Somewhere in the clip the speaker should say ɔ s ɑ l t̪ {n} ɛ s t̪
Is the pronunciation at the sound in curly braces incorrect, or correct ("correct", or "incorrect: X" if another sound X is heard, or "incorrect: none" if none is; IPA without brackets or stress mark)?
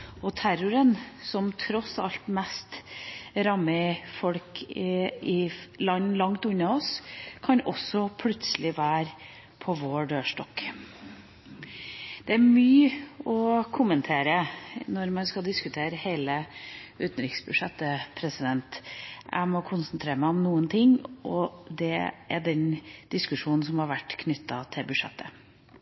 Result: incorrect: m